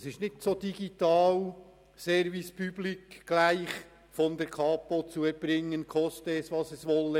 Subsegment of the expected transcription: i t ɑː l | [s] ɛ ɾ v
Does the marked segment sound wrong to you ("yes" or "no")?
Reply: no